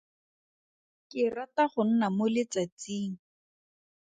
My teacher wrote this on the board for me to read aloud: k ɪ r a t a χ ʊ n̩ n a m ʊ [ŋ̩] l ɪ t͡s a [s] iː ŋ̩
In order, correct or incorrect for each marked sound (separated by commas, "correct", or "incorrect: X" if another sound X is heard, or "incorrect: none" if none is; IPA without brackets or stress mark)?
incorrect: none, incorrect: t͡s